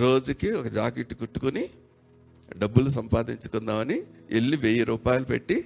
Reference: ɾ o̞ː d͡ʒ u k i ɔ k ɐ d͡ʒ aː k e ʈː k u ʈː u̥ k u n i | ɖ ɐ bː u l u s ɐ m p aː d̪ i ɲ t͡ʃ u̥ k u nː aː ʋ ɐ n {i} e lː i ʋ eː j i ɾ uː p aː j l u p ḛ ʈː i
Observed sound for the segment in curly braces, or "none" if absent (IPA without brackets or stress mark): i